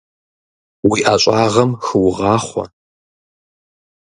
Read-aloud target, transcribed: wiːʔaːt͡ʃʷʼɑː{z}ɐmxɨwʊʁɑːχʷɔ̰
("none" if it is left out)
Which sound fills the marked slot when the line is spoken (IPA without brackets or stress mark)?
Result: ʁ